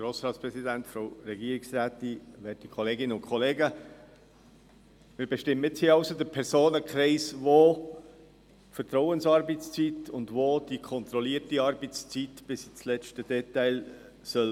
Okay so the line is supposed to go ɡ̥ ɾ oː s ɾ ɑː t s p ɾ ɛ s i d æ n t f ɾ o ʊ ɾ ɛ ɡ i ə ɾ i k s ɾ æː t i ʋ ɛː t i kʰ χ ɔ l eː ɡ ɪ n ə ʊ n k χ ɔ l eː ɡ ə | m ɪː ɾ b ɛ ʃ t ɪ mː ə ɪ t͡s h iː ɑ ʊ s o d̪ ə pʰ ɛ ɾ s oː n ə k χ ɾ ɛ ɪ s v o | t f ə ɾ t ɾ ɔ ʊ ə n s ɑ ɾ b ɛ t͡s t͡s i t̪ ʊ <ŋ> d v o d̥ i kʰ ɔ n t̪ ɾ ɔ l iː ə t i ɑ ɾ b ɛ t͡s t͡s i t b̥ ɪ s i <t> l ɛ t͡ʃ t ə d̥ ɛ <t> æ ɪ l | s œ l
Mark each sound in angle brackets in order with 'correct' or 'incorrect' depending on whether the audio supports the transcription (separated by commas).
incorrect, incorrect, correct